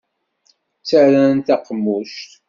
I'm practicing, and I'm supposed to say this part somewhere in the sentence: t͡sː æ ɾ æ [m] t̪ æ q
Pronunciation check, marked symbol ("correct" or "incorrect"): incorrect